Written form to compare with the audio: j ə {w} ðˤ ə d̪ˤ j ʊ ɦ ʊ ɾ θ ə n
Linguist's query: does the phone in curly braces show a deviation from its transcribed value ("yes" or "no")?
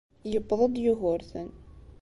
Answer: yes